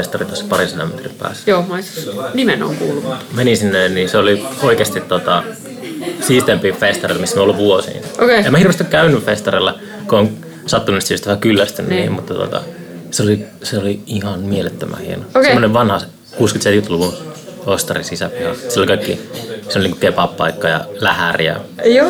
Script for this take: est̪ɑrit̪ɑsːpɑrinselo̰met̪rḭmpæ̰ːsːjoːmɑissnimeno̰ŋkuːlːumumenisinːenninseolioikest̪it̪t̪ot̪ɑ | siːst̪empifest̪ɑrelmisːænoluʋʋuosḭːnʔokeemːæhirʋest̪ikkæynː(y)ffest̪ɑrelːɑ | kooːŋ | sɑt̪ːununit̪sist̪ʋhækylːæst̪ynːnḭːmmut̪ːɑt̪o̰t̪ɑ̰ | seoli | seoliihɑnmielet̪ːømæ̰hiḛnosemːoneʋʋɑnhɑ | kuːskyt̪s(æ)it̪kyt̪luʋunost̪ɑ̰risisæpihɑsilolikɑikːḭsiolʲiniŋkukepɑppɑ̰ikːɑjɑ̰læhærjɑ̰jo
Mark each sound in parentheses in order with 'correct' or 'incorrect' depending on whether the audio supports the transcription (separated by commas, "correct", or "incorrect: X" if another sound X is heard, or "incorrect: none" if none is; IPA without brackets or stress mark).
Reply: correct, incorrect: e